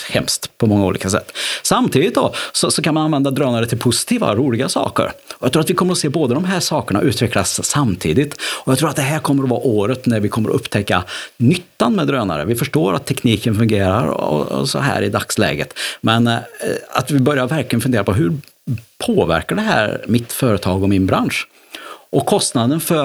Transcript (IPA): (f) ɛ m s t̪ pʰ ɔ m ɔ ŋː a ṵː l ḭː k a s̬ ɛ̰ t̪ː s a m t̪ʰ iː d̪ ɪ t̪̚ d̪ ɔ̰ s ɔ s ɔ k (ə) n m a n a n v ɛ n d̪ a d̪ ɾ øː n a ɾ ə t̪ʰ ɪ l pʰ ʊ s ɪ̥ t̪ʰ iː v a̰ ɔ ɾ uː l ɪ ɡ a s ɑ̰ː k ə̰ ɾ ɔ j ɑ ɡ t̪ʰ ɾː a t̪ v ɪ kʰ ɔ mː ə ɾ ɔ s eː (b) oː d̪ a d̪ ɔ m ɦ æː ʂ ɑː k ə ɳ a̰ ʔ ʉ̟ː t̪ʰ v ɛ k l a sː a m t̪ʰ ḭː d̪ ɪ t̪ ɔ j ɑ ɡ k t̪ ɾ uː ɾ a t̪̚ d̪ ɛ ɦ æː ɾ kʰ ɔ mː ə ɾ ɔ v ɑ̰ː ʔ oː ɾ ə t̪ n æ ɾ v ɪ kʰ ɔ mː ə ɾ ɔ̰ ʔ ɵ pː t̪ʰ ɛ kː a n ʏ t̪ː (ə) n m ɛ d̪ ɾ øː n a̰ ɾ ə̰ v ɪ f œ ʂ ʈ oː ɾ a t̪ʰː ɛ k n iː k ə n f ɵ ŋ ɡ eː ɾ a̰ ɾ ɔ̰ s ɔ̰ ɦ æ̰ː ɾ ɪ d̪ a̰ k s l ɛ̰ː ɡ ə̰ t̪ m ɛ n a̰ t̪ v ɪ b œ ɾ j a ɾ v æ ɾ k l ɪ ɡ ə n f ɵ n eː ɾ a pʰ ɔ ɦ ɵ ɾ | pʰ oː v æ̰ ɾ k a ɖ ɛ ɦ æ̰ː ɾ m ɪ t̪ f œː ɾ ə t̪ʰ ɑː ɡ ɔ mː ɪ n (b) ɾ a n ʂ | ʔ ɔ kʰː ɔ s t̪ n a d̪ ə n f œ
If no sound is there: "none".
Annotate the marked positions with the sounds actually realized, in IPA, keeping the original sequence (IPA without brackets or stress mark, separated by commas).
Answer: h, a, b, a, b